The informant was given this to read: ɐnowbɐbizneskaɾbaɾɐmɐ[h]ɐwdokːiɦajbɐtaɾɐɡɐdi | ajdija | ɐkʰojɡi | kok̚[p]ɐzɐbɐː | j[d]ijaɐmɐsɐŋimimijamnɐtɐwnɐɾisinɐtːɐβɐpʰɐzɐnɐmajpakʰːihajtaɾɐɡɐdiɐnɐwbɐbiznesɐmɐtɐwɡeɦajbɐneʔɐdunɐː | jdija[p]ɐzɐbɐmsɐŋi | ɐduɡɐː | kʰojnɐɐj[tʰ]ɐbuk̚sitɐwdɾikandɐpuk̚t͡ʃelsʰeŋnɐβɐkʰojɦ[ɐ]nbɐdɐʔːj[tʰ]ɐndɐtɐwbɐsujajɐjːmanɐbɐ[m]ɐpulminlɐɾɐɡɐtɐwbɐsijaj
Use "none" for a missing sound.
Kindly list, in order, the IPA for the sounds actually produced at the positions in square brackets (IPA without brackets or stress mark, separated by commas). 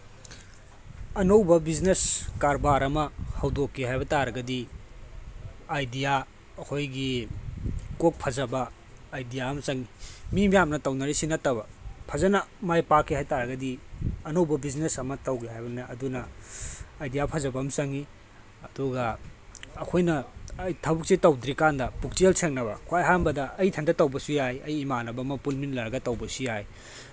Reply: h, pʰ, d, pʰ, tʰ, a, tʰ, m